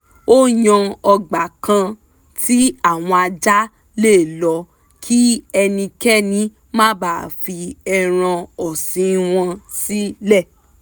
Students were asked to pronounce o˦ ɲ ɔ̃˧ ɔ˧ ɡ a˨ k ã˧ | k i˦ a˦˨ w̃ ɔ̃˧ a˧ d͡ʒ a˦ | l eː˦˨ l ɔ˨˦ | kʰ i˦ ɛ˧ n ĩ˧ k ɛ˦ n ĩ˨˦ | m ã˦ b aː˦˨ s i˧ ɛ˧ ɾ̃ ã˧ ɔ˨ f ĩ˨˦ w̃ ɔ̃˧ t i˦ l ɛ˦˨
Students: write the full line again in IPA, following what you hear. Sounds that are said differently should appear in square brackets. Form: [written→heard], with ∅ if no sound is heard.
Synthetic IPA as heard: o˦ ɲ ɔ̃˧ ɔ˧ [ɡ→ɡ͡b] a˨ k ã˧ | [k→t] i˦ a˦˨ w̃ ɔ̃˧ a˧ d͡ʒ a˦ | l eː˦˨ l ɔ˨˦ | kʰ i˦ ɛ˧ n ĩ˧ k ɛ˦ n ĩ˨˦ | m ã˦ b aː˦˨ [s→f] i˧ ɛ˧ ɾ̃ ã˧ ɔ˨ [f→s] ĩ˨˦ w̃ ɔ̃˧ [t→s] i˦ l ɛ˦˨

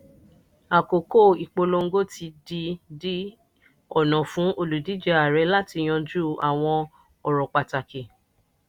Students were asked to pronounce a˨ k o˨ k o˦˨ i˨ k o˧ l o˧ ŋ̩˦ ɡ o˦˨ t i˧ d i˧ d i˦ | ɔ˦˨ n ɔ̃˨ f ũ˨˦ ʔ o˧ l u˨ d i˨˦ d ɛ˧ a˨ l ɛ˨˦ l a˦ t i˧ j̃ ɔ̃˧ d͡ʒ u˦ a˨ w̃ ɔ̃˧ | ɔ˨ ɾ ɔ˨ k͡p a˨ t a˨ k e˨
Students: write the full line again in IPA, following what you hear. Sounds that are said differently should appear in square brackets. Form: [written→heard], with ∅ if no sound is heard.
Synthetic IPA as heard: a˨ k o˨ k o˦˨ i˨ [k→k͡p] o˧ l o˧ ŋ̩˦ ɡ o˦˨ t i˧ d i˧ d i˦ | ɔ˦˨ n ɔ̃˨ f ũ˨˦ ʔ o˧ l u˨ d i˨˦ [d→d͡ʒ] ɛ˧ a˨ [l→ɾ] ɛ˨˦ l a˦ t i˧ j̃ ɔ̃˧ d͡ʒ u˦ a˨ w̃ ɔ̃˧ | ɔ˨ ɾ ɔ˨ k͡p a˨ t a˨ k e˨

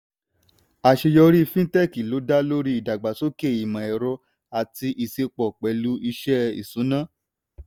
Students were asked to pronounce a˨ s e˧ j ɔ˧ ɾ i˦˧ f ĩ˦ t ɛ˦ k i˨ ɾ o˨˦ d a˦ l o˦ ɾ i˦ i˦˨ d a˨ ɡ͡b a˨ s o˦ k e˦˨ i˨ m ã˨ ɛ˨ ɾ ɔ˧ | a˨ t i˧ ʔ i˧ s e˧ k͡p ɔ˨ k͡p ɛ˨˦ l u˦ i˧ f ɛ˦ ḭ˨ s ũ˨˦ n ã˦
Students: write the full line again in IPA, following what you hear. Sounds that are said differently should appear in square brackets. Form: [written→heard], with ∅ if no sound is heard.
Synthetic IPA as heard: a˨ [s→ʃ] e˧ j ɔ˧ ɾ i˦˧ f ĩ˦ t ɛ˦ k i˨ [ɾ→l] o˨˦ d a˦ l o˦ ɾ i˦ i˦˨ d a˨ ɡ͡b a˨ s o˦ k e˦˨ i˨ m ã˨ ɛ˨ ɾ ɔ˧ | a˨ t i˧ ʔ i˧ s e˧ k͡p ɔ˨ k͡p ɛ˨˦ l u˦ i˧ [f→ʃ] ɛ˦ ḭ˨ s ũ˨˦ n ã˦

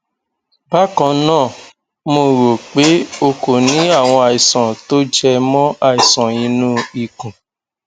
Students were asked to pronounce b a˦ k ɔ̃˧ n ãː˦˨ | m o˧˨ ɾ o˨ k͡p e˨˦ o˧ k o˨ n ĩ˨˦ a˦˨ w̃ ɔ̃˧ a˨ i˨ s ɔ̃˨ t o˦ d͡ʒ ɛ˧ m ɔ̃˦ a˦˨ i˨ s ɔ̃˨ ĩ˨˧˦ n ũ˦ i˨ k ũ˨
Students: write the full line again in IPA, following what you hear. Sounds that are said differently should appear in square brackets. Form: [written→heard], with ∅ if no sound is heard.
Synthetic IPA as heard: b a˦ k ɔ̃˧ n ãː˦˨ | m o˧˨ ɾ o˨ k͡p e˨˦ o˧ k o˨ n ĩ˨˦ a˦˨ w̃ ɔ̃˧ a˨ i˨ s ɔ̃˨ t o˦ d͡ʒ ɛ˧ m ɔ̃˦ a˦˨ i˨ s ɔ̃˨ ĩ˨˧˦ n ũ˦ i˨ k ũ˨

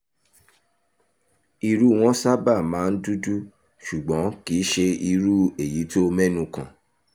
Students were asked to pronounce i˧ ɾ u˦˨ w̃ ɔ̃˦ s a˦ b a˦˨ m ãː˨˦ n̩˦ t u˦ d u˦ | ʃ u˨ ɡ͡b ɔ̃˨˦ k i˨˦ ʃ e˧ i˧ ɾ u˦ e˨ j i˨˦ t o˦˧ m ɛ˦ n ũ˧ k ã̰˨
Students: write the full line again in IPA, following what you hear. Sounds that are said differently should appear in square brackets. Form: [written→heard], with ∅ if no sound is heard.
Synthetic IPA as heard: i˧ ɾ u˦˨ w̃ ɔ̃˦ s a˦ b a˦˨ m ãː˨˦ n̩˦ [t→d] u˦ d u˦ | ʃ u˨ ɡ͡b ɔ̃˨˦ k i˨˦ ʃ e˧ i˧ ɾ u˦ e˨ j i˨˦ t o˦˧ m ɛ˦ n ũ˧ k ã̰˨

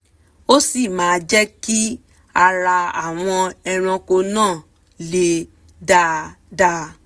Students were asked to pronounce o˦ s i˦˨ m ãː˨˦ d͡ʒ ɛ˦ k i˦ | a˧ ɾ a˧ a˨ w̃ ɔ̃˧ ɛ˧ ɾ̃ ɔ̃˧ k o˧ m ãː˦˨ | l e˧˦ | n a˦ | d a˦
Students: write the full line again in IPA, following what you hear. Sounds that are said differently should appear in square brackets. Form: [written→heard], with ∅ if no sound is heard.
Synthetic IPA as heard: o˦ s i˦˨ m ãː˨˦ d͡ʒ ɛ˦ k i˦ | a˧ ɾ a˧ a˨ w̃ ɔ̃˧ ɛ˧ ɾ̃ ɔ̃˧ k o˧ [m→n] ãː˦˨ | l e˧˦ | [n→d] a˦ | d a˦

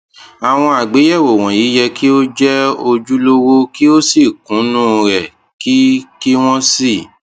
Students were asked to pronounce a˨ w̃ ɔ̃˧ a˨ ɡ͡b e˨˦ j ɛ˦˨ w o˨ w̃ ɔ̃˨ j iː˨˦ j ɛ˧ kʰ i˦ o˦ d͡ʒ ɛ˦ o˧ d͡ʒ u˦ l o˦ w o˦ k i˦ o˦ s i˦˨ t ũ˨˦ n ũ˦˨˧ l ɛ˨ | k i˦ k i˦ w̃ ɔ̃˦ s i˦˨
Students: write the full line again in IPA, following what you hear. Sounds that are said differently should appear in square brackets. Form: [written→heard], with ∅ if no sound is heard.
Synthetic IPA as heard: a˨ w̃ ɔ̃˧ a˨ ɡ͡b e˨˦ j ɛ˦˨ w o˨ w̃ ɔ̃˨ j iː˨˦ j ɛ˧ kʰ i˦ o˦ d͡ʒ ɛ˦ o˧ d͡ʒ u˦ l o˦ w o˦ k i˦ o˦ s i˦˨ [t→k] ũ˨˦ n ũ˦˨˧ [l→ɾ] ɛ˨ | k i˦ k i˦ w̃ ɔ̃˦ s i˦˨

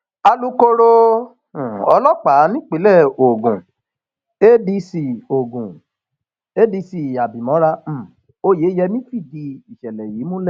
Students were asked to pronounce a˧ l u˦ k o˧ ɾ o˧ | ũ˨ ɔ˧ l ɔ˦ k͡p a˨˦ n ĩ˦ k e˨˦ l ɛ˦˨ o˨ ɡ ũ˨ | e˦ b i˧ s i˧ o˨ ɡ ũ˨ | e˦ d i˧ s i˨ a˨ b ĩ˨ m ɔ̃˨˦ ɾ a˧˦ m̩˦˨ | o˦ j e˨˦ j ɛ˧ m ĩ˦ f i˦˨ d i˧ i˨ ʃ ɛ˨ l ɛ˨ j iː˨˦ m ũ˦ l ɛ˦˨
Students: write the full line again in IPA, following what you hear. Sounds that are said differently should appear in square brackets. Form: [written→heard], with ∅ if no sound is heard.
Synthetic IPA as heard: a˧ l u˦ k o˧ ɾ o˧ | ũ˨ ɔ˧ l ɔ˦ k͡p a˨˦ n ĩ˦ [k→k͡p] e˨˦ l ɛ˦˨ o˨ ɡ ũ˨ | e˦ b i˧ s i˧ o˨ ɡ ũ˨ | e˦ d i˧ s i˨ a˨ b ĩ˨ m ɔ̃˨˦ ɾ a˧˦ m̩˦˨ | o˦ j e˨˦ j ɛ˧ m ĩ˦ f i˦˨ d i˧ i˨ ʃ ɛ˨ l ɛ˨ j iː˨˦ m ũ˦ l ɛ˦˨

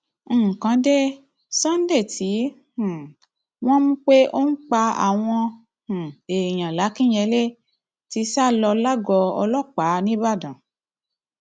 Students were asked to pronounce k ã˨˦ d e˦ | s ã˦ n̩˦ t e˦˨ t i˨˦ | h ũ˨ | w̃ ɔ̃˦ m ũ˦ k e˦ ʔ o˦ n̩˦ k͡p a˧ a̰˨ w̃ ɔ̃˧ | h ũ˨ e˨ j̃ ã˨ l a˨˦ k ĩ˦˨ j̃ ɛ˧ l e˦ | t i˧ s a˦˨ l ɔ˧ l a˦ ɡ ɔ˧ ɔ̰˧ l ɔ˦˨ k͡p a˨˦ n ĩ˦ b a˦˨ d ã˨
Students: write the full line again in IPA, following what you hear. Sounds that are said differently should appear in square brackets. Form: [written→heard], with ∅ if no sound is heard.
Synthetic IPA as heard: k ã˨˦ d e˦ | s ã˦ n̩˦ [t→d] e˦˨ t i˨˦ | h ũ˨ | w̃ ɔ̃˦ m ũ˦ [k→k͡p] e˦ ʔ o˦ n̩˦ k͡p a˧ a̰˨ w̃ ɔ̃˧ | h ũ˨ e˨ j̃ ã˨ l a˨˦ k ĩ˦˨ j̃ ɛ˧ l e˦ | t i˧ s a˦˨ l ɔ˧ l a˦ ɡ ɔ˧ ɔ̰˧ l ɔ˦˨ k͡p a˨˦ n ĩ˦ b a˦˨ d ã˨

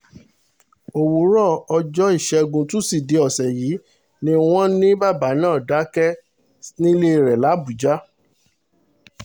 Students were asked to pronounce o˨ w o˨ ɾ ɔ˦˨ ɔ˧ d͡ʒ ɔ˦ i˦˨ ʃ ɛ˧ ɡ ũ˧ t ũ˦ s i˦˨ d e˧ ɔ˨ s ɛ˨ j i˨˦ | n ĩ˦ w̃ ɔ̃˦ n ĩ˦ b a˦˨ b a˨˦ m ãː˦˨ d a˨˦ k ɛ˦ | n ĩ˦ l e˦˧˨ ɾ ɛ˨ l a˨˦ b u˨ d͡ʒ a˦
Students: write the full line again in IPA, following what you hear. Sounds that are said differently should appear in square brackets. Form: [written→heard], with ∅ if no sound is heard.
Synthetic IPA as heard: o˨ w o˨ ɾ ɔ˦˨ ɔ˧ d͡ʒ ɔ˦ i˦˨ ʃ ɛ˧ ɡ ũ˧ t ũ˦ s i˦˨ d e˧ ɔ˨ s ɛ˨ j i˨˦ | n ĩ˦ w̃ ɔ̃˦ n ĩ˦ b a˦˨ b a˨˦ [m→n] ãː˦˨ d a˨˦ k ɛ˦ | n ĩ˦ l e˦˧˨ ɾ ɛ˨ l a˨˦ b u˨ d͡ʒ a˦

